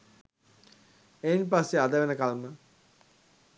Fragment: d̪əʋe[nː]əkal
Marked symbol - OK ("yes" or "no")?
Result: no